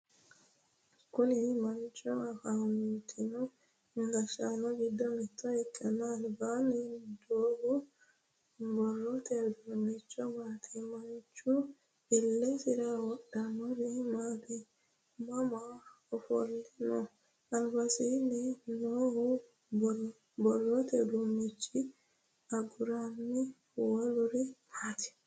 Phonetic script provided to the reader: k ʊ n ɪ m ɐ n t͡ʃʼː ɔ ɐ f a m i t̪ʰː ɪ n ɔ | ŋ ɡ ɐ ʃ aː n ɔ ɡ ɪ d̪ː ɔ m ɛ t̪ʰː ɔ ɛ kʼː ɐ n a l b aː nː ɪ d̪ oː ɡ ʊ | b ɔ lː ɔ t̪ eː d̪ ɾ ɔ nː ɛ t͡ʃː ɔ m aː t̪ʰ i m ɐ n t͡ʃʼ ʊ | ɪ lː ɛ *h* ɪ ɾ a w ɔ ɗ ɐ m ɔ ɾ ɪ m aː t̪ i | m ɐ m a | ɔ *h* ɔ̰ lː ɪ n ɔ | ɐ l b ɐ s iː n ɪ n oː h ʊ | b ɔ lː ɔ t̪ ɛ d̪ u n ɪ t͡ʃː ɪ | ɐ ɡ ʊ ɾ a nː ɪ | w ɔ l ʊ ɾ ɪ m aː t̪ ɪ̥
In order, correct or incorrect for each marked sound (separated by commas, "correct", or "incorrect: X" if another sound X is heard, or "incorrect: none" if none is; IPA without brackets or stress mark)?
incorrect: s, incorrect: f